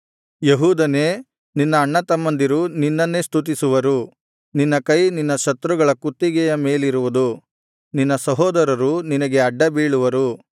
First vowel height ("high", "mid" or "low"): mid